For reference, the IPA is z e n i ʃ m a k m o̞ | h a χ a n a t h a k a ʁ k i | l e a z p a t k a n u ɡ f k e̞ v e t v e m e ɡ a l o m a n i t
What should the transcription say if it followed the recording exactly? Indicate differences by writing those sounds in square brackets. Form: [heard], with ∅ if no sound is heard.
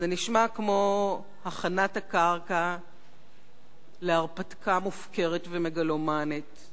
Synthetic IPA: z e n i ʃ m a k m o̞ | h a χ a n a t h a k a ʁ k [a] | l e a [ʁ] p a t k a [m] u [∅] f k e̞ [ʁ] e t v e m e ɡ a l o m a n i t